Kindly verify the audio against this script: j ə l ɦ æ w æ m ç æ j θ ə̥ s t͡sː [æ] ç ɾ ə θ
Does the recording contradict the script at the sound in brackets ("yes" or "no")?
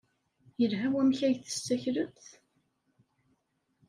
no